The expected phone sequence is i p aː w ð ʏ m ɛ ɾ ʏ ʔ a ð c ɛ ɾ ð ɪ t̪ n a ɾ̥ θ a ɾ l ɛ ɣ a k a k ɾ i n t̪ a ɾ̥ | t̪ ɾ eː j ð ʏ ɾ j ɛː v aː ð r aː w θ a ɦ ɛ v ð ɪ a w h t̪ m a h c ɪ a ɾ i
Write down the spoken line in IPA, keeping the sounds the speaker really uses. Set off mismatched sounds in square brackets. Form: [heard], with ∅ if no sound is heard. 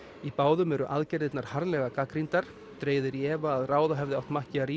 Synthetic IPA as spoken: i p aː w ð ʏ m ɛ ɾ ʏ ʔ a ð c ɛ ɾ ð ɪ t̪ n a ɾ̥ [h] a ɾ l ɛ ɣ a k a k ɾ i n t̪ a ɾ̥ | t̪ ɾ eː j ð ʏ ɾ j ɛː v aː ð r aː w [ð] a ɦ ɛ v ð ɪ a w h t̪ m a h c ɪ a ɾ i